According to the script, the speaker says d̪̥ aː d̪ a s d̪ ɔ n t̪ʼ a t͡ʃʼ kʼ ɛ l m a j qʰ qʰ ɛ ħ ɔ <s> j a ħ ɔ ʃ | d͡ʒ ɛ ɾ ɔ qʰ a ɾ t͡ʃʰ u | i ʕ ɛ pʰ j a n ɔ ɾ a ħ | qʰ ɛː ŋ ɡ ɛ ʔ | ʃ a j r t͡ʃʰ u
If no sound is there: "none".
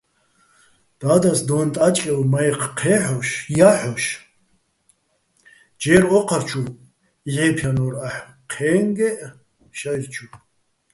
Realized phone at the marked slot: ʃ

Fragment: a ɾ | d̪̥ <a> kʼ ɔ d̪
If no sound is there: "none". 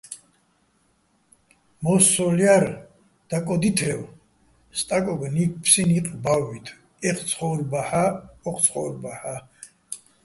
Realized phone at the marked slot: a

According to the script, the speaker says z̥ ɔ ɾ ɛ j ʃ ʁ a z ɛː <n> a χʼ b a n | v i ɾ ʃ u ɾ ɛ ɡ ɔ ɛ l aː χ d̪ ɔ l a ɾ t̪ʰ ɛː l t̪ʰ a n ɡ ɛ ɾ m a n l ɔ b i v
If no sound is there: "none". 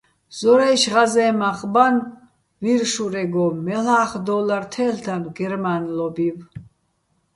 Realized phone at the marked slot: m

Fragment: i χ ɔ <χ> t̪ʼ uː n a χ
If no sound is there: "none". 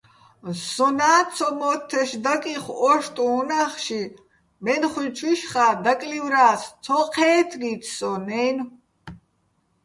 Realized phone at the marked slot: ʃ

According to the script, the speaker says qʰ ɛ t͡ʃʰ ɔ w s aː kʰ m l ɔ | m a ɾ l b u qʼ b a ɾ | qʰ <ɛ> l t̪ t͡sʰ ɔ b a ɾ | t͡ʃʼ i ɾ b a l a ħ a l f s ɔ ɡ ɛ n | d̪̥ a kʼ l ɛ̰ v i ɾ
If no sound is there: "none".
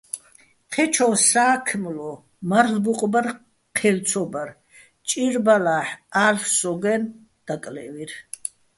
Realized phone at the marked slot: ɛ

